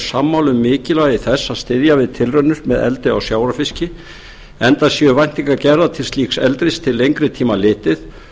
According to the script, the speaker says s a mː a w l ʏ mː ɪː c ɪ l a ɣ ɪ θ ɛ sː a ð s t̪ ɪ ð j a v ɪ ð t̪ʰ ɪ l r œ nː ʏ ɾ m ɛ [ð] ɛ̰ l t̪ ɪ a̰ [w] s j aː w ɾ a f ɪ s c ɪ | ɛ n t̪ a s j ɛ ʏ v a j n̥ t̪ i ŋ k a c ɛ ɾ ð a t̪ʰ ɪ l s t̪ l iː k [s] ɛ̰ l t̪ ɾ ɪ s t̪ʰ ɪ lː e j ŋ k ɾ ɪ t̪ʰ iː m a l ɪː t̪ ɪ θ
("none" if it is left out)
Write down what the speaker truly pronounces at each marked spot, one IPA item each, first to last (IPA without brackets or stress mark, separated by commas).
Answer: ð, w, s